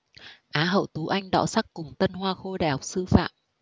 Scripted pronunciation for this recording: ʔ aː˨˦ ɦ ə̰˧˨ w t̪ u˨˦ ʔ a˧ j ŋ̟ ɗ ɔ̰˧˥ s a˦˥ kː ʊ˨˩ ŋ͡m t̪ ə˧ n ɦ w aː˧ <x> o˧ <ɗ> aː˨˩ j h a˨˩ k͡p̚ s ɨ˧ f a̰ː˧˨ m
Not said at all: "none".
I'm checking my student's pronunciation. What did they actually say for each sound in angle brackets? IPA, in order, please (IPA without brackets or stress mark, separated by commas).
x, ɗ